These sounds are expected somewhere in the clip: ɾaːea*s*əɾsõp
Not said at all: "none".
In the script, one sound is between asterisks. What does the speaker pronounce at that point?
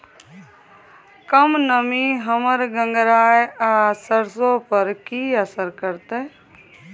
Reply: s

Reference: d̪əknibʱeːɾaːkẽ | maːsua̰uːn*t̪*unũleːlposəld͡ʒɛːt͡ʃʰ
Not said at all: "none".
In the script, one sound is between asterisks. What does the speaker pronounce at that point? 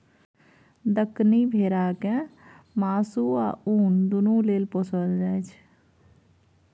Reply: d̪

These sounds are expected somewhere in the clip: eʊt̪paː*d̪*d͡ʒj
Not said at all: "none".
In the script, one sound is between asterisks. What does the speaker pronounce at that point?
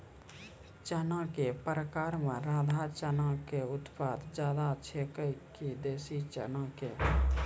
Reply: d̪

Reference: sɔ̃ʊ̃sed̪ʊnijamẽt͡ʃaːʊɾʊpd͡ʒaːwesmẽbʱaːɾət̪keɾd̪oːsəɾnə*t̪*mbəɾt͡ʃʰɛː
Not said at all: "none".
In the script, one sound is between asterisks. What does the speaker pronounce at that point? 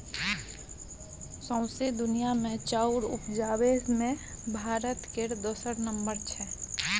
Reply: none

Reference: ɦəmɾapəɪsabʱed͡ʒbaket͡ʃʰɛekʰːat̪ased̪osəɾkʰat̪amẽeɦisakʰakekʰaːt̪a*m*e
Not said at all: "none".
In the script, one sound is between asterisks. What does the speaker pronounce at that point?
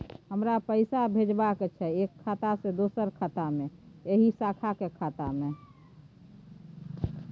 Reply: m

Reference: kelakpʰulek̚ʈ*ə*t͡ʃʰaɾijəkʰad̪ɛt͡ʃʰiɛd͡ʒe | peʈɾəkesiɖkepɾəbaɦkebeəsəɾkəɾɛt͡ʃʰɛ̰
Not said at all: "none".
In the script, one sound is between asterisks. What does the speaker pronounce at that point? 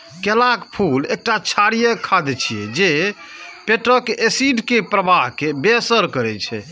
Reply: a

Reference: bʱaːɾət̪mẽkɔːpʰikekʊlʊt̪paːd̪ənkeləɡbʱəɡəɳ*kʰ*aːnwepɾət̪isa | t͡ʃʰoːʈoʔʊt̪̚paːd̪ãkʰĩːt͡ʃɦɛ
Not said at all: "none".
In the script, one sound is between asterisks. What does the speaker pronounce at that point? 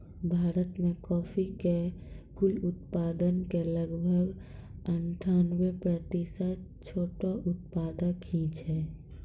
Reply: ʈʰ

